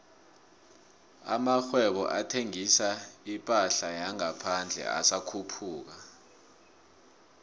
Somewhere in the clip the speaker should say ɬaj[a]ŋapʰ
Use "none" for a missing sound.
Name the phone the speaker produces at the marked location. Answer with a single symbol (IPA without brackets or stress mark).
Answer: a